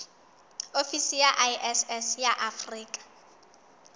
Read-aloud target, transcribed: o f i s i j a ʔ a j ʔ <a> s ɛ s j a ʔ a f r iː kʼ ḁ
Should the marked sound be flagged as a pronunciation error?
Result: yes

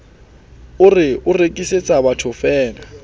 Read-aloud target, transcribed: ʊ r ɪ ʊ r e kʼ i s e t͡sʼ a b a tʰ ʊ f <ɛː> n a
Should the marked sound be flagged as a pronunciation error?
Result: no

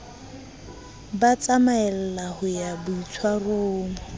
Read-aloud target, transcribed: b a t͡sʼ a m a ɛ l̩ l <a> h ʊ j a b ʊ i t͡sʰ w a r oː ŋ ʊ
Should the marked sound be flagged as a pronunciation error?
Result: no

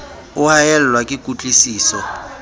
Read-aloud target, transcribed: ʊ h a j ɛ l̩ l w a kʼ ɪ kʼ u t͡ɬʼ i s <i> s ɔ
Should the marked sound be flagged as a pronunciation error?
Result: yes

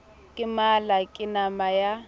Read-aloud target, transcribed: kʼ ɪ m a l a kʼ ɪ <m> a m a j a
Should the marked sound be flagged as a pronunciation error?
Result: yes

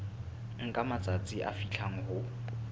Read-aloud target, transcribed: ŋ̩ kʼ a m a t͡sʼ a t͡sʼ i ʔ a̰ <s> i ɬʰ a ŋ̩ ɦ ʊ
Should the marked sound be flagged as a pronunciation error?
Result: yes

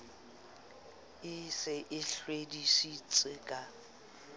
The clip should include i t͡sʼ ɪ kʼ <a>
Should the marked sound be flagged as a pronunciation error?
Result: no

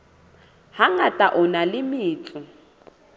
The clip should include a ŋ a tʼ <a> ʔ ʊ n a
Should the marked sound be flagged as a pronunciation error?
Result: no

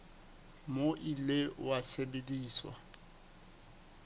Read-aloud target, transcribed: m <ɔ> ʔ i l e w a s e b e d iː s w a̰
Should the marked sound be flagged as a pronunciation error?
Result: yes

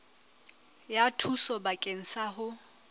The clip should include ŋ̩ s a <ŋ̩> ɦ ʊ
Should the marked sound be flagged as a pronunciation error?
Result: yes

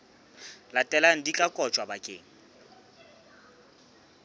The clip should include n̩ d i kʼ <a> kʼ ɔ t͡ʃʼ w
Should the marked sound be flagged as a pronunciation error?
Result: no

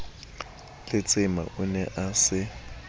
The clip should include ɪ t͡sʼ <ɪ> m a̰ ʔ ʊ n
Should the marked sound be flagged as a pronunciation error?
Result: no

